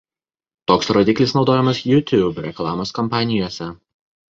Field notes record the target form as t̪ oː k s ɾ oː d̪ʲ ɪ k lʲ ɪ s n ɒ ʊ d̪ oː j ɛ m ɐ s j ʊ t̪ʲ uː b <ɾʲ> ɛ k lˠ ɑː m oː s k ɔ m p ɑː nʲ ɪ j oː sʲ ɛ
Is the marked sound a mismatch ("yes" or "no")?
no